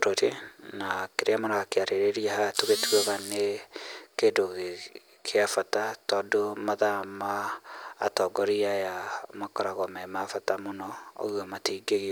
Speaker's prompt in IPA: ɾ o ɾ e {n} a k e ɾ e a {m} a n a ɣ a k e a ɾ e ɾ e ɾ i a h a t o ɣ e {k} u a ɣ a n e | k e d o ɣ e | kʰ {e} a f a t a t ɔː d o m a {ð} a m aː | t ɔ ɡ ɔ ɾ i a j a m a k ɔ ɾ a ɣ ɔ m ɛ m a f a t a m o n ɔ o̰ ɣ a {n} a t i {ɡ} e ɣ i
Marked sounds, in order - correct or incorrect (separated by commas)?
correct, correct, incorrect, correct, correct, incorrect, correct